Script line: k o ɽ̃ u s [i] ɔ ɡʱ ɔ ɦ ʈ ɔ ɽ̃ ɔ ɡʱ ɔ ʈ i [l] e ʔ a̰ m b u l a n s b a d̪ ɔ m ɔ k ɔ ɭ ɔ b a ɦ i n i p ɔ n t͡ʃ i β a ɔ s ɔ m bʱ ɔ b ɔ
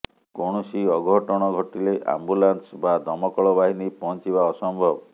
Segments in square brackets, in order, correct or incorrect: correct, correct

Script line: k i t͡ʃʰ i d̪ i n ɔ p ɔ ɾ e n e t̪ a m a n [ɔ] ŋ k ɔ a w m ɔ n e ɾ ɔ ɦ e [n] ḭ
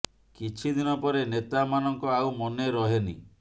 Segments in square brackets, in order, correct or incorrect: correct, correct

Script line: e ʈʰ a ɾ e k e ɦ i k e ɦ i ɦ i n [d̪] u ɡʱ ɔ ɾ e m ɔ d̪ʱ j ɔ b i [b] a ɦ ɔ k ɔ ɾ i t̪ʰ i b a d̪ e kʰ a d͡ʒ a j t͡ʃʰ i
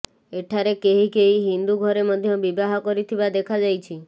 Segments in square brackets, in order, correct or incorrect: correct, correct

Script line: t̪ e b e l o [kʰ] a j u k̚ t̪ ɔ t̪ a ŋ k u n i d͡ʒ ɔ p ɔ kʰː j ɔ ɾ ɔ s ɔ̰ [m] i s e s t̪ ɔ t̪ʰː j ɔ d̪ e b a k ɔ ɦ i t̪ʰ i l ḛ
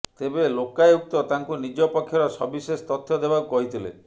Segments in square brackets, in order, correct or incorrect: incorrect, incorrect

